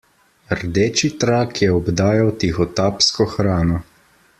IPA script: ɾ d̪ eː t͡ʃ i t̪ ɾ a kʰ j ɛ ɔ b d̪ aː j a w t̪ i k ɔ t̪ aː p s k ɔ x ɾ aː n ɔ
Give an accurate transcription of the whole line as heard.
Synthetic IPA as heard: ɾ d̪ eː t͡ʃ i t̪ ɾ a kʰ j ɛ ɔ b d̪ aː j a w t̪ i x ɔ t̪ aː p s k ɔ x ɾ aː n ɔ